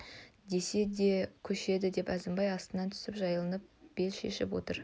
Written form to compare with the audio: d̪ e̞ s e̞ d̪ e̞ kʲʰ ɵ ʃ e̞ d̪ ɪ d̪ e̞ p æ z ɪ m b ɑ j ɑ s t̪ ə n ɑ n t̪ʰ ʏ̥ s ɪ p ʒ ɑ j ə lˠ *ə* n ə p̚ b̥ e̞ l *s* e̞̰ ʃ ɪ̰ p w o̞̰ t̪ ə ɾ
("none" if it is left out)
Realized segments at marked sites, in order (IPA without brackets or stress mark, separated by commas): ə, ʃ